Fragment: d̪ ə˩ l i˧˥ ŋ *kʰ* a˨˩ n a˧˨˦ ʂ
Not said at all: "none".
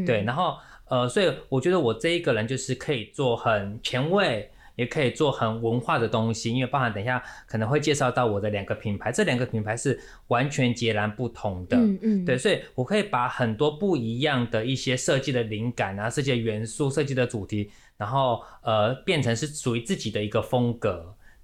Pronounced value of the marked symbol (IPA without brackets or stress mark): k